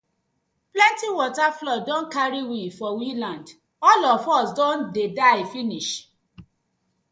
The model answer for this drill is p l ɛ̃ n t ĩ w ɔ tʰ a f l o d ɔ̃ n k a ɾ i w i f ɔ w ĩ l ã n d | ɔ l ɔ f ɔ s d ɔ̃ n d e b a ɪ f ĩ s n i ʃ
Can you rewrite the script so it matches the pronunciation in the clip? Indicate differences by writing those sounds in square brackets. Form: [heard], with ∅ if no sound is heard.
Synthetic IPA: p l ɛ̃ n t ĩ w ɔ [t] a f l [ɔ] d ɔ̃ n k a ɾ i w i f ɔ w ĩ l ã n d | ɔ l ɔ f ɔ s d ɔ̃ n d e [d] a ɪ f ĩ [∅] n i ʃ

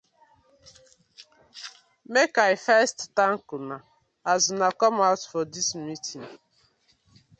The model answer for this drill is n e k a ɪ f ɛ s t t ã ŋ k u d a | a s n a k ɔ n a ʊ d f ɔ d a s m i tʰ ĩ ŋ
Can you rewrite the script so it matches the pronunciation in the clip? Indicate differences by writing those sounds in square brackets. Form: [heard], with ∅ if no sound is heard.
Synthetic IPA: [m] e k a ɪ f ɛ s t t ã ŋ k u [n] a | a [z] n a k ɔ [m] a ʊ [t] f ɔ d [i] s m i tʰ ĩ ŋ

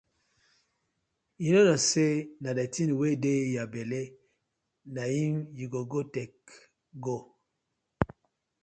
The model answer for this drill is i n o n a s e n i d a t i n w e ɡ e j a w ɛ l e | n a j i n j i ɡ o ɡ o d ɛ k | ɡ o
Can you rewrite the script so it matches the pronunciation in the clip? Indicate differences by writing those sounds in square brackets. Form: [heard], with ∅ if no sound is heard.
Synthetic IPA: i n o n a s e n [a] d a t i n w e [d] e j a [b] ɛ l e | n a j i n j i ɡ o ɡ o [t] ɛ k | ɡ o

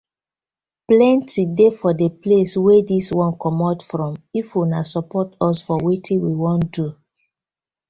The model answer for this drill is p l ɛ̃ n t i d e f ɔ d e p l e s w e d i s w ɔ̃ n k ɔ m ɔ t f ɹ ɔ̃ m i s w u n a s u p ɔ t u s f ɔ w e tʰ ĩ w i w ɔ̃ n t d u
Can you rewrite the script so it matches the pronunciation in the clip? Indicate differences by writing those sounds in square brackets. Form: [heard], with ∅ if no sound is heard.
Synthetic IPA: p l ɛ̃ n t i d e f ɔ d e p l e s w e d i s w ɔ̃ n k ɔ m ɔ t f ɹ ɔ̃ m i [f] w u n a s [ɔ] p ɔ t [ɔ] s f ɔ w e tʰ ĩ w i w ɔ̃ n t d u

